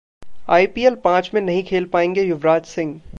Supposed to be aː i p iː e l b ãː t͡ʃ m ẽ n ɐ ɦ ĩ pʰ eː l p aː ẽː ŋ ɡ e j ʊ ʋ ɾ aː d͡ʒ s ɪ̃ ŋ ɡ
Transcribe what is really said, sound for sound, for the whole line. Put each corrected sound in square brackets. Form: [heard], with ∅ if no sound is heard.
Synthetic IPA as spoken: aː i p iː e l [p] ãː t͡ʃ m ẽ n ɐ ɦ ĩ [kʰ] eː l p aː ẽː ŋ ɡ e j ʊ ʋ ɾ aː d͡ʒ s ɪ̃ ŋ ɡ